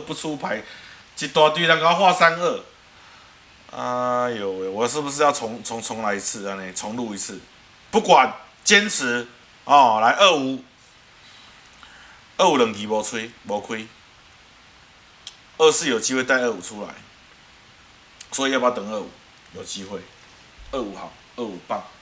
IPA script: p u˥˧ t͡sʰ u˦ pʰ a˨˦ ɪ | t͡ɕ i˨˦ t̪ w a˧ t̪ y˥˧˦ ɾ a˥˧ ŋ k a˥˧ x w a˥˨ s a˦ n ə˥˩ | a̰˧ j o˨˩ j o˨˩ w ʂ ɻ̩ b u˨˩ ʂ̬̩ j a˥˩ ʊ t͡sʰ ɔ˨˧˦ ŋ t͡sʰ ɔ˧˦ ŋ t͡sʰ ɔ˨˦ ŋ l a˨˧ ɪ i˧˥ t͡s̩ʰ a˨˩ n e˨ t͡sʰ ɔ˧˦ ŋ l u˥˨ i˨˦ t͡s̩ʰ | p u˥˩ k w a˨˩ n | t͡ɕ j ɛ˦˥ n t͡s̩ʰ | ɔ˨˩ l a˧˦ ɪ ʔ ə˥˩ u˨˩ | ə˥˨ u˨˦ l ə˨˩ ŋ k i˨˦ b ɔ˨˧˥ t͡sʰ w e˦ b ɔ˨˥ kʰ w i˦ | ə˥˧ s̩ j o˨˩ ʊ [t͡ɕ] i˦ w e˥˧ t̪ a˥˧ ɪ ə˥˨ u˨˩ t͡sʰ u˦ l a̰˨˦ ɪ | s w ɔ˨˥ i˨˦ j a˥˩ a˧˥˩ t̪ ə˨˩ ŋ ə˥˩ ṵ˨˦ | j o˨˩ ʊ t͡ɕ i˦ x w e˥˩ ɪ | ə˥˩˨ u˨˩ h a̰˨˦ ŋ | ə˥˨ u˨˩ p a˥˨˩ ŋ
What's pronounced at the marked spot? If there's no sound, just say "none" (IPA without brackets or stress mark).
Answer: t͡ɕ